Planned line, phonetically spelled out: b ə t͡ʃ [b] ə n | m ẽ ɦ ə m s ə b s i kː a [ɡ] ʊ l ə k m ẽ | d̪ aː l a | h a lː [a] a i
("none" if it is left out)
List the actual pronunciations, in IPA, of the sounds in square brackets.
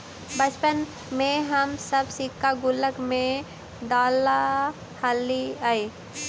p, ɡ, i

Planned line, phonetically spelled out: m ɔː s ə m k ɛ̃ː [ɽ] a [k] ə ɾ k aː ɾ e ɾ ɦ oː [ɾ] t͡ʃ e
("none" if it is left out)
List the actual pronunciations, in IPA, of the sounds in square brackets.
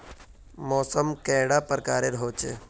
ɽ, p, none

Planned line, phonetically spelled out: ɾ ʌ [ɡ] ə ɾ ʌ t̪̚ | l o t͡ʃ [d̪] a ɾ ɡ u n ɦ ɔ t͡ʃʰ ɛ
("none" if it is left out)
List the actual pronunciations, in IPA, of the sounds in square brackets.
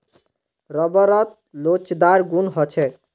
b, d̪

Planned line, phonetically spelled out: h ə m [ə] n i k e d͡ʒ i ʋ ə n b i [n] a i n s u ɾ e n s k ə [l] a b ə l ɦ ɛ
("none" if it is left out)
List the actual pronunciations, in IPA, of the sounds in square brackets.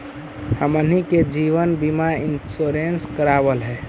ə, m, ɾ

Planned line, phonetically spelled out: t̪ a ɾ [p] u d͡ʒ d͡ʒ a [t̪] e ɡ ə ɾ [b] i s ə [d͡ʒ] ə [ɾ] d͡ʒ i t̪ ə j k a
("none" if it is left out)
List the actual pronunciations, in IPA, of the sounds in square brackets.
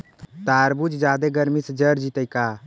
b, d̪, m, d͡ʒ, ɾ

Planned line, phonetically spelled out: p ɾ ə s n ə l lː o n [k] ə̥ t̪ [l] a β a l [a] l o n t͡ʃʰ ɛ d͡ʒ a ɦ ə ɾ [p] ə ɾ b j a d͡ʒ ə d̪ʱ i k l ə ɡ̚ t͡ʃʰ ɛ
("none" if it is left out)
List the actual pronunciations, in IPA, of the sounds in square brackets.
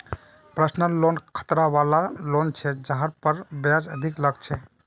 kʰ, ɾ, a, p

